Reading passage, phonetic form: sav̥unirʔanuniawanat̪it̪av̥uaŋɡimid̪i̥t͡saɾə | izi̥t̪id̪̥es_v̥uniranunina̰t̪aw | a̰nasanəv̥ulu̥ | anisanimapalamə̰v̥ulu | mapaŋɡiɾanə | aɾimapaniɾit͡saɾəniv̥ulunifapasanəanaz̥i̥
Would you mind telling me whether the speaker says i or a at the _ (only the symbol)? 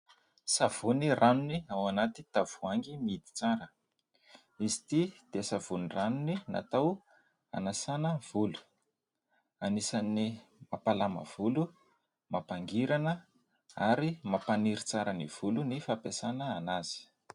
a